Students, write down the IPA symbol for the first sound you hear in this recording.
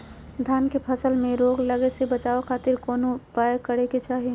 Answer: d̪ʱ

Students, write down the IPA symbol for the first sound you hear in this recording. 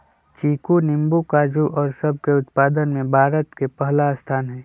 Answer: t͡ʃ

